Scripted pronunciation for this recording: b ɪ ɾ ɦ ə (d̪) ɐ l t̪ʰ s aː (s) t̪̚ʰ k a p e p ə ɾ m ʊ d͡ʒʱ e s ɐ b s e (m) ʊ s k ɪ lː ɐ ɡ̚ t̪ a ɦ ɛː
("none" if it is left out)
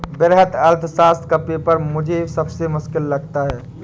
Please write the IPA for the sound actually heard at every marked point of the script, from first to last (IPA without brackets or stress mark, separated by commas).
t̪, s, m